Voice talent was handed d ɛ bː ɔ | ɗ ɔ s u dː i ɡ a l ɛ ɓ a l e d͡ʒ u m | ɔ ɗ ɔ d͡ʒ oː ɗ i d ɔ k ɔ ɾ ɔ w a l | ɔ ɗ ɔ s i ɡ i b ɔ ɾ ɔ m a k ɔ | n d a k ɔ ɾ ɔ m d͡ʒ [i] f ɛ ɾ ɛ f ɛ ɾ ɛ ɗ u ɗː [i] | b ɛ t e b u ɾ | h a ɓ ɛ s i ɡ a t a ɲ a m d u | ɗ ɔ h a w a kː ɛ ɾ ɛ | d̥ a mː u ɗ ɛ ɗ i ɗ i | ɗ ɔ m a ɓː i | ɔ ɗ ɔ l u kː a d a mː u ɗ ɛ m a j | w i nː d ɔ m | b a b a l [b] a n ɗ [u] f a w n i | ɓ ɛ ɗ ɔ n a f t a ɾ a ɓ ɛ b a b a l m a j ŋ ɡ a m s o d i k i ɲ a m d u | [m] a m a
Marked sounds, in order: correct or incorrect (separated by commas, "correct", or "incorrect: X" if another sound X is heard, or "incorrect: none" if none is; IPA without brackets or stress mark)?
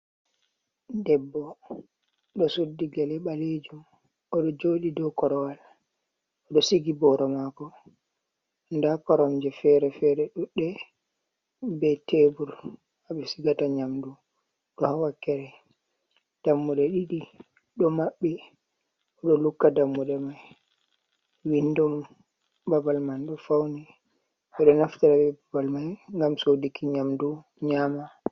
incorrect: ɛ, incorrect: ɛ, incorrect: m, incorrect: ɔ, incorrect: ɲ